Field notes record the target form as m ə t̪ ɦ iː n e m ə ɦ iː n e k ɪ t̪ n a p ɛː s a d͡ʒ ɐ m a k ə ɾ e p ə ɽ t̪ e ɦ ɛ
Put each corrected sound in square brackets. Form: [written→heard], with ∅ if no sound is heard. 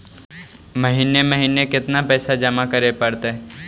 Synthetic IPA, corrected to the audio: m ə [t̪→∅] ɦ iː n e m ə ɦ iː n e k ɪ t̪ n a p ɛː s a d͡ʒ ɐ m a k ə ɾ e p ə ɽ t̪ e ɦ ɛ